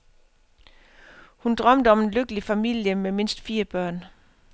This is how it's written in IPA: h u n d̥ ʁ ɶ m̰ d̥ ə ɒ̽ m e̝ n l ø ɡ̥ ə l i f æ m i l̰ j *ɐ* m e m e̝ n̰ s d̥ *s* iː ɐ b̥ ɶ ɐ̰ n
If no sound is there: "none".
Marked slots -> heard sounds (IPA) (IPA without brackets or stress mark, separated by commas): ə, f